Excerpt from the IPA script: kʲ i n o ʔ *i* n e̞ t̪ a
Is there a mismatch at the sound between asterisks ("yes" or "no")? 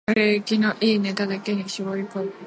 yes